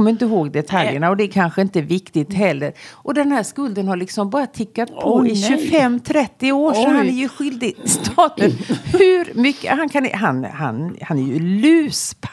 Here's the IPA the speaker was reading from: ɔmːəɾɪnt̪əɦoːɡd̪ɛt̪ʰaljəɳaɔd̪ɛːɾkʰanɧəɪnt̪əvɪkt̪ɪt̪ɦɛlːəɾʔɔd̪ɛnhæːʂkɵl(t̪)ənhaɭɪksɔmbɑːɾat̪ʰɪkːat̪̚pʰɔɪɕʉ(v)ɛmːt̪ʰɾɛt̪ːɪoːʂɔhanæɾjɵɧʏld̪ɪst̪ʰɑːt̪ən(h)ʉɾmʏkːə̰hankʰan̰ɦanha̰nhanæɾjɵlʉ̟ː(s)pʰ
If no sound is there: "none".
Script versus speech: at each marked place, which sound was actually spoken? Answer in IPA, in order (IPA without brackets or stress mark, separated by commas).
d̪, f, h, s